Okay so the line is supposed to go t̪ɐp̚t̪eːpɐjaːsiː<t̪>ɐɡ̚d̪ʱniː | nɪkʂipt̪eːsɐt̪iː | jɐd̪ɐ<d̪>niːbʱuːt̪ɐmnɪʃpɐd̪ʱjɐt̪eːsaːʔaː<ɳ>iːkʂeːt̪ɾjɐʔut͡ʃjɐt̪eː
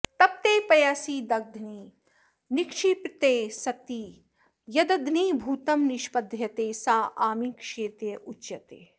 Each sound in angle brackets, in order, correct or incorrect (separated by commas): incorrect, correct, incorrect